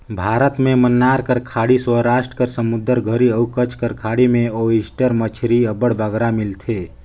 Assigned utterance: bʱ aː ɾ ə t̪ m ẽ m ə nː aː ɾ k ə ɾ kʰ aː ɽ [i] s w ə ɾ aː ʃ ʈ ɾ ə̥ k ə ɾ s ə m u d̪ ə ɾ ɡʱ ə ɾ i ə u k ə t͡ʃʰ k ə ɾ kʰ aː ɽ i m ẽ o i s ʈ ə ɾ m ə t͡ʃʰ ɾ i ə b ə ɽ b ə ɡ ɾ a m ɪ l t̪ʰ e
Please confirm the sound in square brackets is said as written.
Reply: yes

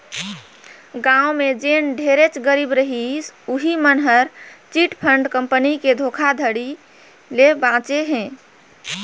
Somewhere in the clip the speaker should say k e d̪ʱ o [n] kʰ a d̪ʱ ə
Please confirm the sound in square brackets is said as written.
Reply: no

